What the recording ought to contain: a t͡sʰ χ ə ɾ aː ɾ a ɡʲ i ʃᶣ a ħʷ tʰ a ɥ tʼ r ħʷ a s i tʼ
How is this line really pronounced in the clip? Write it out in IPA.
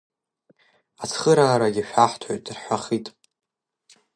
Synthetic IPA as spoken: a t͡sʰ χ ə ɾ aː ɾ a ɡʲ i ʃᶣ a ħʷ tʰ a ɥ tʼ r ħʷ a χ i tʼ